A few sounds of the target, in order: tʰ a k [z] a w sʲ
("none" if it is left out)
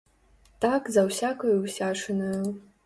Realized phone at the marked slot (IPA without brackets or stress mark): z